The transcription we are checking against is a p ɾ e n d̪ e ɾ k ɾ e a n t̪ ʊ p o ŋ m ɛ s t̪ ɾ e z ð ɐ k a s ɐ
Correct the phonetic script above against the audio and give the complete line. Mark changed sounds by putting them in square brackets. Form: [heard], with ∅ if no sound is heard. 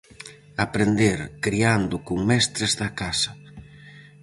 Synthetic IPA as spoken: a p ɾ e n d̪ e ɾ k ɾ [i] a n [d̪] ʊ [k] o ŋ m ɛ s t̪ ɾ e z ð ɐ k a s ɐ

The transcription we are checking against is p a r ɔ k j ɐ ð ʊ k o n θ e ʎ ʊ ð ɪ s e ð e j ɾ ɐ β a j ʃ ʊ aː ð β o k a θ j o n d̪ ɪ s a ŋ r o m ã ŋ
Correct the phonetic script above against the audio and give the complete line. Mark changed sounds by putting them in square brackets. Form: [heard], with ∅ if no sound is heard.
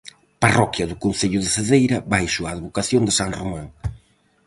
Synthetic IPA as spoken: p a r ɔ k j ɐ ð ʊ k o n θ e ʎ ʊ ð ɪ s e ð e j ɾ ɐ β a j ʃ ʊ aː ð β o k a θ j o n d̪ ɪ s a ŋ r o m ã ŋ

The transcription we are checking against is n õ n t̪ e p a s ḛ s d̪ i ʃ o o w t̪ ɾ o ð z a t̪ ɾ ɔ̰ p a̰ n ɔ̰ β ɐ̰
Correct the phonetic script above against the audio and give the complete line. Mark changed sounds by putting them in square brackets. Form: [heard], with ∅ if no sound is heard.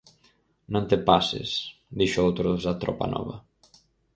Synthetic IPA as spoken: n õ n t̪ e p a s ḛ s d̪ i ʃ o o w t̪ ɾ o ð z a t̪ ɾ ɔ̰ p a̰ n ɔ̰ β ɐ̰

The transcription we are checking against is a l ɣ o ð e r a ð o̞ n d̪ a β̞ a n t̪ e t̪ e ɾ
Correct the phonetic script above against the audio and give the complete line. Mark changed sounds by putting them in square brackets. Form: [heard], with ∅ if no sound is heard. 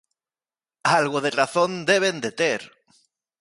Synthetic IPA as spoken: a l ɣ o ð e r a [θ] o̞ n d̪ [e] β̞ [e] n [d̪] e t̪ e ɾ

